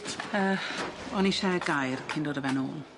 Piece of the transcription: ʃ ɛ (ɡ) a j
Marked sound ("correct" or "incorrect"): correct